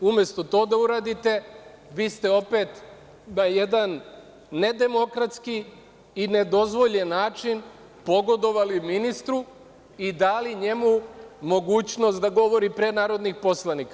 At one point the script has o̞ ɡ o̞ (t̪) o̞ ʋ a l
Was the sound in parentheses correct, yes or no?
no